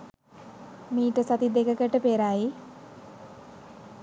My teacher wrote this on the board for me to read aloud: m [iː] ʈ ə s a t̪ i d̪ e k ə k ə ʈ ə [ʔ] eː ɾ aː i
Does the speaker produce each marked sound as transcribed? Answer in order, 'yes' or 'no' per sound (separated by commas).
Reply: yes, no